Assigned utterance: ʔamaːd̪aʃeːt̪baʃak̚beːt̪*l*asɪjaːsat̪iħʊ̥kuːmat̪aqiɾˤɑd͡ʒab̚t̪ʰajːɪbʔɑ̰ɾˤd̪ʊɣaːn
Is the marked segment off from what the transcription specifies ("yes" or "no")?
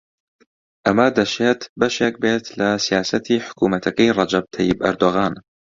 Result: no